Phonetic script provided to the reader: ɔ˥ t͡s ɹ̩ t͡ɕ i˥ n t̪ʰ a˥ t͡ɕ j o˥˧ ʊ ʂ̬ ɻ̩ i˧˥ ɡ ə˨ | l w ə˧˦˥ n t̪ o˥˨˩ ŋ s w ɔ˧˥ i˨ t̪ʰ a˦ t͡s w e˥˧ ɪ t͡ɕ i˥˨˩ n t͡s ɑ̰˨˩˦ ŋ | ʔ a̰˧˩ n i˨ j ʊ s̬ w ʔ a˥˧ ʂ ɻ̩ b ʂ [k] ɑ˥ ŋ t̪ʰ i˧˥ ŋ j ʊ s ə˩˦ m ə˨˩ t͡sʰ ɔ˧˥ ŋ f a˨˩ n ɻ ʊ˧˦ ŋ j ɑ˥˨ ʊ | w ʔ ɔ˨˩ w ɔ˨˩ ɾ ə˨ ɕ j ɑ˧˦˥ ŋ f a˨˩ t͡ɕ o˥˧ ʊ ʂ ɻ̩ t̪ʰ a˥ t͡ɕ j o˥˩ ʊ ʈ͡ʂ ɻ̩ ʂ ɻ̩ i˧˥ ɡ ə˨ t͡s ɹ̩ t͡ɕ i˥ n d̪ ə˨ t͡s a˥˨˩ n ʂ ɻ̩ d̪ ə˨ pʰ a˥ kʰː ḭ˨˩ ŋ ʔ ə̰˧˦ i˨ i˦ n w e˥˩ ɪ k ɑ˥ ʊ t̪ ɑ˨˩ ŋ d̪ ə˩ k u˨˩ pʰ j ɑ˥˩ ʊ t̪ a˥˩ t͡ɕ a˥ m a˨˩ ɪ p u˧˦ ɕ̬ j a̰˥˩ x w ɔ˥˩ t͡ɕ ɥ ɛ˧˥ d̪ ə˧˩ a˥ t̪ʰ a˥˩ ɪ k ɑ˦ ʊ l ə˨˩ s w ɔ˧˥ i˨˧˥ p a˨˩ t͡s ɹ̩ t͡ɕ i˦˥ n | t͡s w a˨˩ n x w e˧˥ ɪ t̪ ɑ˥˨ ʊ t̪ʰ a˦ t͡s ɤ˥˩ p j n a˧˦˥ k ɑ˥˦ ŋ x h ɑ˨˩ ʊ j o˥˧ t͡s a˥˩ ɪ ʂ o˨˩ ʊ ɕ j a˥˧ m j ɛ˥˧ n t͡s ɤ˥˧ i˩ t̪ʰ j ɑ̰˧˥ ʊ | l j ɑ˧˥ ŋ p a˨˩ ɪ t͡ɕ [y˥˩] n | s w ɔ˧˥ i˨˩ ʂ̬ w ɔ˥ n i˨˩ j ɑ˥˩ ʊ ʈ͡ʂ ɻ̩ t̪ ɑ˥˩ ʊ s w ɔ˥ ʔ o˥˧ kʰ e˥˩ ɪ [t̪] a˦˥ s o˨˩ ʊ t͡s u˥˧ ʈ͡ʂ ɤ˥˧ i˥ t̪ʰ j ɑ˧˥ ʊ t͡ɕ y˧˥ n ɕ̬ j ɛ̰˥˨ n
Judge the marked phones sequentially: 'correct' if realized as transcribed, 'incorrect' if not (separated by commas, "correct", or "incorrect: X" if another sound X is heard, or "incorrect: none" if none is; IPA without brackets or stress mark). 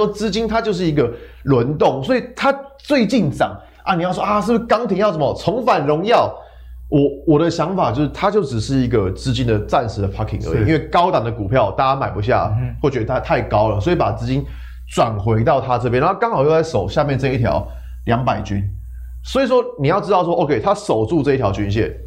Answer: correct, incorrect: y˦˥, incorrect: t̪ʰ